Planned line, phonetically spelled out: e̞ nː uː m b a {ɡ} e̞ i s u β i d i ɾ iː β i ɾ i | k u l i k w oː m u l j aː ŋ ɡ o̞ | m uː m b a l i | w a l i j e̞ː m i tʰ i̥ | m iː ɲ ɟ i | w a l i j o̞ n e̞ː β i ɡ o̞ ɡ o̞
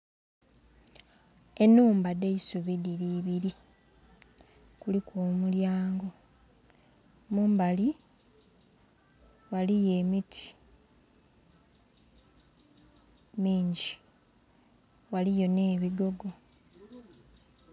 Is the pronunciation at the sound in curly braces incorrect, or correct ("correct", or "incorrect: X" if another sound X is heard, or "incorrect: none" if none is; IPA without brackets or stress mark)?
incorrect: d